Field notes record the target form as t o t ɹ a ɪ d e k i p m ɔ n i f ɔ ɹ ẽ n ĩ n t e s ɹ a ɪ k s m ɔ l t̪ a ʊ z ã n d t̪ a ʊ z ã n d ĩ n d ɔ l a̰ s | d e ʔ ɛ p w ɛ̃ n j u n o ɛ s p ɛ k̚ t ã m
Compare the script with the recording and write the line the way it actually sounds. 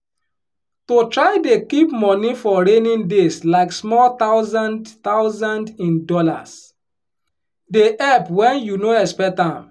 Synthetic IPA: t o t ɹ a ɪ d e k i p m ɔ n i f ɔ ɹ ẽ n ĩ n d e s l a ɪ k s m ɔ l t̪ a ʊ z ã n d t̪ a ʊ z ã n d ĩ n d ɔ l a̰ s | d e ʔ ɛ p w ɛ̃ n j u n o ɛ s p ɛ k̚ t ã m